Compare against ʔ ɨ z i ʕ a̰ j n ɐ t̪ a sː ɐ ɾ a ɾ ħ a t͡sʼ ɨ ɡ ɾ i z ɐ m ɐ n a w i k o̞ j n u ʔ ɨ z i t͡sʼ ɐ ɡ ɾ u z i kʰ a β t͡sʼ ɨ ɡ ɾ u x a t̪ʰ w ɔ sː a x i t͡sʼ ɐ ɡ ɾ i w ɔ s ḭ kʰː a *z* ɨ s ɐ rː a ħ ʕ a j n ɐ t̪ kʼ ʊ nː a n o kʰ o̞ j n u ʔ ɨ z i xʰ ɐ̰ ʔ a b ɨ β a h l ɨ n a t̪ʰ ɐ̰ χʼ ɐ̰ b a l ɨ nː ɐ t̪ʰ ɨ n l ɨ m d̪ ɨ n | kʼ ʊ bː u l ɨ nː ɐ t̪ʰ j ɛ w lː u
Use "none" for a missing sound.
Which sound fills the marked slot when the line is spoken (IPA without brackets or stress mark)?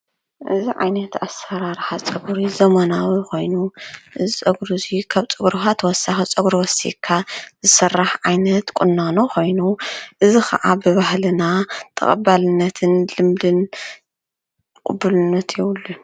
z